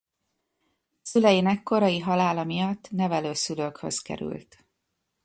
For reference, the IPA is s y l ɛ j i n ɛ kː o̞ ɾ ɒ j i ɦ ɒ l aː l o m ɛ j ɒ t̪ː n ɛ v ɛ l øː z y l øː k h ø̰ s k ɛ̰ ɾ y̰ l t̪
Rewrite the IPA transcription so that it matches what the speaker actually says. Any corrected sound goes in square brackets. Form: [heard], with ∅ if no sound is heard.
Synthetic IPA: s y l ɛ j i n ɛ kː o̞ ɾ ɒ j i ɦ ɒ l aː l [ɒ] m [i] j ɒ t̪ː n ɛ v ɛ l øː [s] y l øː k h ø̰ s k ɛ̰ ɾ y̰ l t̪